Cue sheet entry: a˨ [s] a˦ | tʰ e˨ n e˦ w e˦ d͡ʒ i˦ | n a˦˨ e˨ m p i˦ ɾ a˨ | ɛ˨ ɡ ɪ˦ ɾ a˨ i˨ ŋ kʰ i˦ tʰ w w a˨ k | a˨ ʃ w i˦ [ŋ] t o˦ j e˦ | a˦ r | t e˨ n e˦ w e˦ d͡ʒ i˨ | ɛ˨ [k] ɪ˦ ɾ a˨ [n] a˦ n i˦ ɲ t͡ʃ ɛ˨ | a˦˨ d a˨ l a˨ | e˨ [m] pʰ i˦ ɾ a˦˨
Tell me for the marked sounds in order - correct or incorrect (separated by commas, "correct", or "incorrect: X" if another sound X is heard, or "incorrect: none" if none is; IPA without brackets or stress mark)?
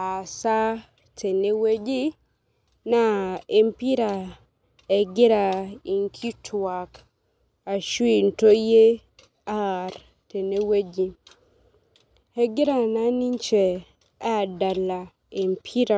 correct, incorrect: n, incorrect: ɡ, correct, correct